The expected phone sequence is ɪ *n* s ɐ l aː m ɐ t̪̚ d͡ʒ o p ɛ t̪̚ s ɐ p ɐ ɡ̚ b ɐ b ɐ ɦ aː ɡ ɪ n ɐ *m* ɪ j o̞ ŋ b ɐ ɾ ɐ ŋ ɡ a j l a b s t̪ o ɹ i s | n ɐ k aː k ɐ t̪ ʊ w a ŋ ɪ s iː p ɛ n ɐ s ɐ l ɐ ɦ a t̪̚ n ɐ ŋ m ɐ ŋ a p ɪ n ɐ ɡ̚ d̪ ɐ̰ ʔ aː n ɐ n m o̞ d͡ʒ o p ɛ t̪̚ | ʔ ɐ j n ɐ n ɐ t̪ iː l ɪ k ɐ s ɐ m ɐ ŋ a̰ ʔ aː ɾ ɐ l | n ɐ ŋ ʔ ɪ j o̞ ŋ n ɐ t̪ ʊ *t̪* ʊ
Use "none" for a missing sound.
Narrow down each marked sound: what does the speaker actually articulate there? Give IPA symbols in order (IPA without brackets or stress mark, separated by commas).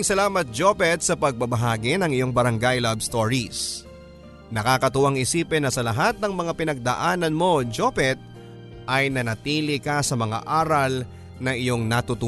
ŋ, ŋ, t̪